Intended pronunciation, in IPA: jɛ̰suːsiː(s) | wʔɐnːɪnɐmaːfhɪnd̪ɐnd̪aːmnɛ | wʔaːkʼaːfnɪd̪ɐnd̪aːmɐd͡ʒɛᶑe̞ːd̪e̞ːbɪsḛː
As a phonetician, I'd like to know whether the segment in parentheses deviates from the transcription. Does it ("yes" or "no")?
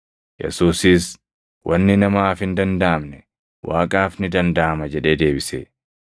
no